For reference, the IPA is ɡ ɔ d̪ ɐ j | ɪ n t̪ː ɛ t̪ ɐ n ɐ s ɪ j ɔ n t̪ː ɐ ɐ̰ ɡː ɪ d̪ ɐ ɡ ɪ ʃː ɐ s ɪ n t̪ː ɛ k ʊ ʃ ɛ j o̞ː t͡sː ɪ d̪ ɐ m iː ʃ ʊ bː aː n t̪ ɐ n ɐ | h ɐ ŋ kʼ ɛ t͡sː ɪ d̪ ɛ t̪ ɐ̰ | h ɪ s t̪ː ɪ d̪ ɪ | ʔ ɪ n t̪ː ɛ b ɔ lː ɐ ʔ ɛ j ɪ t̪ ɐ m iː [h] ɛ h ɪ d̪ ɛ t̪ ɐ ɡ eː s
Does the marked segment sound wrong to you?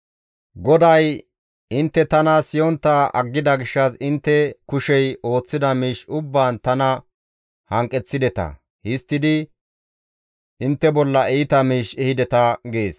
yes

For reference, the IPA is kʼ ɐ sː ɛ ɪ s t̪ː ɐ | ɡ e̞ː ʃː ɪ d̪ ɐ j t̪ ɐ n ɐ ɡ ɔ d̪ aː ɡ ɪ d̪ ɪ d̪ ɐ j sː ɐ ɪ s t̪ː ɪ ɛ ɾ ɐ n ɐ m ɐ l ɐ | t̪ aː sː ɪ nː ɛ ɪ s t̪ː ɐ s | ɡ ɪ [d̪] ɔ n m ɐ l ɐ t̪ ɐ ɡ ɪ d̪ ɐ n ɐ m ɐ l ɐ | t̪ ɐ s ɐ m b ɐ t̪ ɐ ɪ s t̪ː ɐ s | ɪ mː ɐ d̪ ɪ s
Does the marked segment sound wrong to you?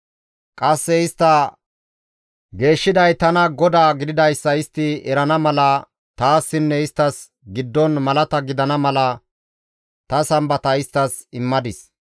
yes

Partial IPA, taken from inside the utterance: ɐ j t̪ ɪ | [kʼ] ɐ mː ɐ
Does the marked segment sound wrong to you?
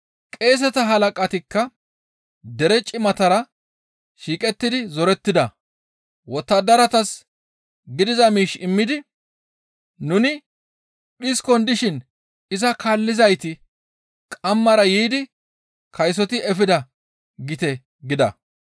no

